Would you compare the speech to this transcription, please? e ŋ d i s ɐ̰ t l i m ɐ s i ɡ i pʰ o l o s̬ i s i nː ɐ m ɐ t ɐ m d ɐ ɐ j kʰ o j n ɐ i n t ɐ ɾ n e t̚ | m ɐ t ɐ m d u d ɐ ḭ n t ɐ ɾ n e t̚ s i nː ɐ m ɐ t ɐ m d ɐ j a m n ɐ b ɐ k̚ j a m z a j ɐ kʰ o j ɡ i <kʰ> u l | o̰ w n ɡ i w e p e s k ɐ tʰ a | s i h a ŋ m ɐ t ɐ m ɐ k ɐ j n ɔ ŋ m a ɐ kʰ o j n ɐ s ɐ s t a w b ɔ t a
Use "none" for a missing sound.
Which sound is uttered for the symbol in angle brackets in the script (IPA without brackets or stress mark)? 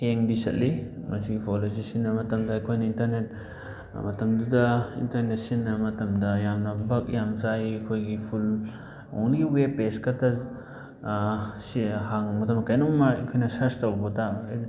pʰ